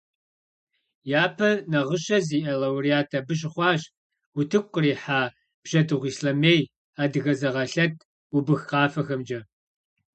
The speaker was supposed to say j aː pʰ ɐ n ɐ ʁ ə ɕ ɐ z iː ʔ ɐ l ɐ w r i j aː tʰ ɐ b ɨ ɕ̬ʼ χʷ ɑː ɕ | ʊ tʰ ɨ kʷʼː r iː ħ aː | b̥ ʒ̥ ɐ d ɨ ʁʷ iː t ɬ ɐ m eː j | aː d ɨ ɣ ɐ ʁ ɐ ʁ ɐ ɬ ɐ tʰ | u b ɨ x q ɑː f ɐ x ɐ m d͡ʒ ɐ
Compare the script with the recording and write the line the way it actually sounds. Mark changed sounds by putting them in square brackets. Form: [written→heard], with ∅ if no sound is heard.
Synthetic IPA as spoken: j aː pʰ ɐ n ɐ ʁ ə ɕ ɐ z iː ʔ ɐ l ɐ w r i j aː tʰ ɐ b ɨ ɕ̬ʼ χʷ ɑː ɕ | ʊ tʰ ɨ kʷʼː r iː ħ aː | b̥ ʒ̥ ɐ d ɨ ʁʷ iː [t→s] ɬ ɐ m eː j | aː d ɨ ɣ ɐ [ʁ→z] ɐ ʁ ɐ ɬ ɐ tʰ | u b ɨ x q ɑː f ɐ x ɐ m d͡ʒ ɐ

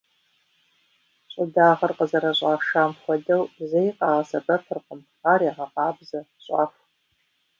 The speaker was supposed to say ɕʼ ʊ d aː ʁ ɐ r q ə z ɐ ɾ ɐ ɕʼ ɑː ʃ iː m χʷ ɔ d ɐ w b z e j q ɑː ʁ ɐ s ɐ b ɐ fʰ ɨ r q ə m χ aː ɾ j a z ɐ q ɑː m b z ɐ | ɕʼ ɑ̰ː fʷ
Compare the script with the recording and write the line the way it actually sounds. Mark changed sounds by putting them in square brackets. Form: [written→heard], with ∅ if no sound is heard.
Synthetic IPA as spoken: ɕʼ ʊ d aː ʁ ɐ r q ə z ɐ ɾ ɐ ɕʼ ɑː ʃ [iː→aː] m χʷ ɔ d ɐ w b z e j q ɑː ʁ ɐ s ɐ b ɐ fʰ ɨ r q ə m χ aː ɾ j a [z→ʁ] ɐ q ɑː [m→∅] b z ɐ | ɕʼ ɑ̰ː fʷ

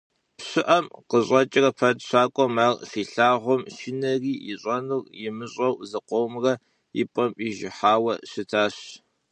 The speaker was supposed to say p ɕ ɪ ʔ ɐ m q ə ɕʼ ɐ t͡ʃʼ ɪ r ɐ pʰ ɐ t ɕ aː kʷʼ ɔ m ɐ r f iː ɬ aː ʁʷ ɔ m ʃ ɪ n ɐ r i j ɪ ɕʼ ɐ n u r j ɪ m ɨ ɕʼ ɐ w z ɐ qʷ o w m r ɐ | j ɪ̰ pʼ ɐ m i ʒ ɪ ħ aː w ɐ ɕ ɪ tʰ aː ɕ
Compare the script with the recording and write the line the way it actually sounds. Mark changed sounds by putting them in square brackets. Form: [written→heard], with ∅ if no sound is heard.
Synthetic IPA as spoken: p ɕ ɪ ʔ ɐ m q ə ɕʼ ɐ t͡ʃʼ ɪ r ɐ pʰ ɐ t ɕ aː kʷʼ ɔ m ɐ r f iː ɬ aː ʁʷ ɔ m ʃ ɪ n ɐ r [i→iː] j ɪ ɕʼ ɐ n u r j ɪ m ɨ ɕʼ ɐ w z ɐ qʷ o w m r ɐ | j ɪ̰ pʼ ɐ m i ʒ ɪ ħ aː w ɐ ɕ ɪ tʰ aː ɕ

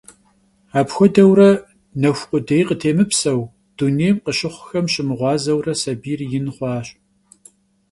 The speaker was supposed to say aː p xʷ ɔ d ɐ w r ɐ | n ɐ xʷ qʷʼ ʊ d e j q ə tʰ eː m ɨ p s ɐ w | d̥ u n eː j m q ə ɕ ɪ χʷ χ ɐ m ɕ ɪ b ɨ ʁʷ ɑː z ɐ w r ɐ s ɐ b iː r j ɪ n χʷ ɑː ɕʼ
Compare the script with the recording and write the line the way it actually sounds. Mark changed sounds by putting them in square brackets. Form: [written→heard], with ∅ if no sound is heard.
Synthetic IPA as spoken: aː p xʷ ɔ d ɐ w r ɐ | n ɐ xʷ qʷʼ ʊ d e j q ə tʰ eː m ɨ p s ɐ w | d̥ u n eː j m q ə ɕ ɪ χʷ [χ→x] ɐ m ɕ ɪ [b→m] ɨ ʁʷ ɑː z ɐ w r ɐ s ɐ b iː r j ɪ n χʷ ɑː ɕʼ

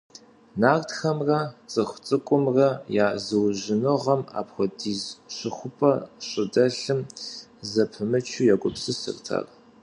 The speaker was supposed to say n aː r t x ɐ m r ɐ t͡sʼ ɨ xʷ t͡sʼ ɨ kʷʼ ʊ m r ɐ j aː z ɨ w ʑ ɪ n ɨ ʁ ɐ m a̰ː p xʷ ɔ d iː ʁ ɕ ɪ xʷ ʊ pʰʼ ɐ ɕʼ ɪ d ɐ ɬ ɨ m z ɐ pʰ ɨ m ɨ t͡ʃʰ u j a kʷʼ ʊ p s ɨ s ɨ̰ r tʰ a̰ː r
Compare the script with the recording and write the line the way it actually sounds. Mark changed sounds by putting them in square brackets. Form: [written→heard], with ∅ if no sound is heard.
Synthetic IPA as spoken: n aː r t x ɐ m r ɐ t͡sʼ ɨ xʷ t͡sʼ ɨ kʷʼ ʊ m r ɐ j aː z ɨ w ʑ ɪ n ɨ ʁ ɐ m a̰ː p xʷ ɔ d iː [ʁ→z] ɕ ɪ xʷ ʊ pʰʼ ɐ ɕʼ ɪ d ɐ ɬ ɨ m z ɐ pʰ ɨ m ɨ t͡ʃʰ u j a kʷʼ ʊ p s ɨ s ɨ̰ r tʰ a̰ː r

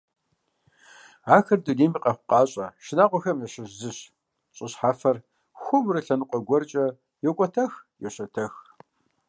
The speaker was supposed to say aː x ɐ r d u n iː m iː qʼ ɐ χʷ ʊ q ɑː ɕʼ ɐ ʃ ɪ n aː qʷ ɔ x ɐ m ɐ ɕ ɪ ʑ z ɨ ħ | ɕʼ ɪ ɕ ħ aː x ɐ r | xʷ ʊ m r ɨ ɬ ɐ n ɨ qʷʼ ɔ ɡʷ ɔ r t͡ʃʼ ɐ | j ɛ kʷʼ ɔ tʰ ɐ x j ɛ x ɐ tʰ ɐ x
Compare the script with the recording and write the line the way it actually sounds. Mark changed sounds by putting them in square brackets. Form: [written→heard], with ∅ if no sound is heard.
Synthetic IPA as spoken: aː x ɐ r d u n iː m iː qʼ ɐ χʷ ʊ q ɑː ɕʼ ɐ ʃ ɪ n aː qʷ ɔ x ɐ m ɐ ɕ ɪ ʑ z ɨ [ħ→ɕ] | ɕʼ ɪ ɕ ħ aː [x→f] ɐ r | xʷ ʊ m r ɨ ɬ ɐ n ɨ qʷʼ ɔ ɡʷ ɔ r t͡ʃʼ ɐ | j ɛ kʷʼ ɔ tʰ ɐ x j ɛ [x→ɕ] ɐ tʰ ɐ x

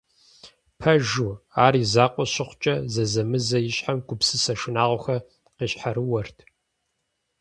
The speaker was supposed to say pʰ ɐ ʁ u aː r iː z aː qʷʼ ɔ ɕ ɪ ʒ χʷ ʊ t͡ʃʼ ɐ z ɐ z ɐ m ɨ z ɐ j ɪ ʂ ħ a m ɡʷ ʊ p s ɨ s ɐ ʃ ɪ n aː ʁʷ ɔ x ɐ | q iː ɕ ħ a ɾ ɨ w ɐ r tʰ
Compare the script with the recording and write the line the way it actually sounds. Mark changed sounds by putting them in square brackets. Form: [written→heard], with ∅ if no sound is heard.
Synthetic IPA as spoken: pʰ ɐ [ʁ→ʒ] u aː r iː z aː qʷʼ ɔ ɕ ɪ [ʒ→∅] χʷ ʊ t͡ʃʼ ɐ z ɐ z ɐ m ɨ z ɐ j ɪ [ʂ→ɕ] ħ a m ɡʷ ʊ p s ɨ s ɐ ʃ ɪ n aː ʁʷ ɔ x ɐ | q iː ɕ ħ a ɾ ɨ w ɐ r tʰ

